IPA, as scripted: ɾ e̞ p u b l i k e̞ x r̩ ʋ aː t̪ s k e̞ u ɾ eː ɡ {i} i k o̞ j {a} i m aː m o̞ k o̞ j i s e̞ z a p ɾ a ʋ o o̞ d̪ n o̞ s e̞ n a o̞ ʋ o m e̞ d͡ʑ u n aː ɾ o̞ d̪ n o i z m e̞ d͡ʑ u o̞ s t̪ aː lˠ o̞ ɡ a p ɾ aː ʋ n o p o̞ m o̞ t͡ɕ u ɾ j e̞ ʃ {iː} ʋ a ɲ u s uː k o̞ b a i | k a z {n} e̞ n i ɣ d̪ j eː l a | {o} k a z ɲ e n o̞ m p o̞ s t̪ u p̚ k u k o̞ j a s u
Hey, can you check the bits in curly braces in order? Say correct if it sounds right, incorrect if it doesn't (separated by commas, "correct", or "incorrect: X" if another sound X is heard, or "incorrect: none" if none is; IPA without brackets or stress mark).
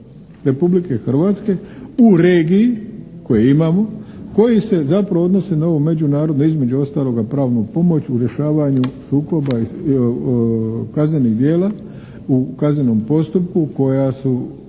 correct, incorrect: e, incorrect: aː, incorrect: ɲ, incorrect: u